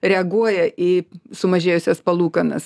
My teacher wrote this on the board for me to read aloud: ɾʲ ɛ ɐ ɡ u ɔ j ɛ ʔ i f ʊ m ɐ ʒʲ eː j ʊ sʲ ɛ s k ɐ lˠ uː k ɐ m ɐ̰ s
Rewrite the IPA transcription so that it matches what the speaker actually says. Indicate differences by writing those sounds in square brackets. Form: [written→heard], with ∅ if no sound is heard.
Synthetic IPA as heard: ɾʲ ɛ ɐ ɡ u ɔ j ɛ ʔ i [f→s] ʊ m ɐ ʒʲ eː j ʊ sʲ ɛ s [k→p] ɐ lˠ uː k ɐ [m→n] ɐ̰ s